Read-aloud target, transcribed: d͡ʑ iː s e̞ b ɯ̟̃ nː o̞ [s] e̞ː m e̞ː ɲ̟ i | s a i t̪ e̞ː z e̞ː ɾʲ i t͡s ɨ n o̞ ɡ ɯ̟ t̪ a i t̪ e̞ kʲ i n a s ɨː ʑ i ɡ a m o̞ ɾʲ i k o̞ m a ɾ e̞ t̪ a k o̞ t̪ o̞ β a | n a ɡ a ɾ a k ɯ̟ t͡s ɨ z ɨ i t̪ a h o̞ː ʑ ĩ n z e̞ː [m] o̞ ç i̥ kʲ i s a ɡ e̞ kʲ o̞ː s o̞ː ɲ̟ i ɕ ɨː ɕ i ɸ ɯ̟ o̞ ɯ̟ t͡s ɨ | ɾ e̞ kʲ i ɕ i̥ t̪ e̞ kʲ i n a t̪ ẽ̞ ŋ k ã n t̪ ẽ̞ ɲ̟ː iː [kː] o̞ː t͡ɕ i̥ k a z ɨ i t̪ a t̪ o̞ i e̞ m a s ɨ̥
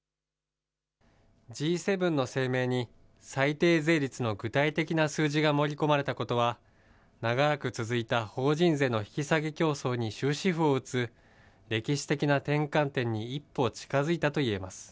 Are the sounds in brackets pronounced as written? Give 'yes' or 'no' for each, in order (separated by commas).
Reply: yes, no, no